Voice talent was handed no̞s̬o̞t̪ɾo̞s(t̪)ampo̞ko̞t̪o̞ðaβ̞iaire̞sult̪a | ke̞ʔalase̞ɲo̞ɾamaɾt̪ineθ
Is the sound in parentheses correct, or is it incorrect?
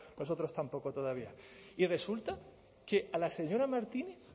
correct